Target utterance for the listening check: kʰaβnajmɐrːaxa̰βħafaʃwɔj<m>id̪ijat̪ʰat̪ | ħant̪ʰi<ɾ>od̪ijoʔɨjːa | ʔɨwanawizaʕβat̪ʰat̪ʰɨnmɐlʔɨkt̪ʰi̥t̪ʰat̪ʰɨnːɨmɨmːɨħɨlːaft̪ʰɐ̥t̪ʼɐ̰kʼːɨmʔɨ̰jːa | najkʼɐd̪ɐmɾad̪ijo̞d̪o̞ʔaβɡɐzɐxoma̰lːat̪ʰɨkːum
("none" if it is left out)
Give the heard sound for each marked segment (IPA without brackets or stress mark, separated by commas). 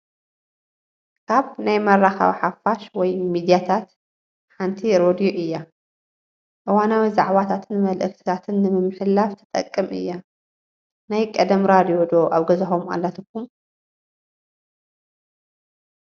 m, ɾ